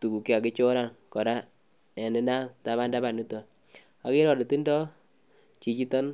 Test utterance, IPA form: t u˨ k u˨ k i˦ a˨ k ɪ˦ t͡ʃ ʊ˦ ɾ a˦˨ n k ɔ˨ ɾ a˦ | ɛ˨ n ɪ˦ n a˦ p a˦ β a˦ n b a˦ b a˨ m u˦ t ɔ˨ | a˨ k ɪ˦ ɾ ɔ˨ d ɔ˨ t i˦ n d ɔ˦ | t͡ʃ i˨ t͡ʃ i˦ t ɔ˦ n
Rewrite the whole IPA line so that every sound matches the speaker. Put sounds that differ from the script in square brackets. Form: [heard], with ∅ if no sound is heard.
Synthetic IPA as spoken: t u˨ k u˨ k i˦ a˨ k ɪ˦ t͡ʃ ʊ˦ ɾ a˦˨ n k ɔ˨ ɾ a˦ | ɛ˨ n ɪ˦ n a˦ [t] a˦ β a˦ n [d] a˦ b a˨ [n] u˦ t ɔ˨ | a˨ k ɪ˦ ɾ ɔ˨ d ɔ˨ t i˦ n d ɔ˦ | t͡ʃ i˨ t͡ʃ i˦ t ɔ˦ n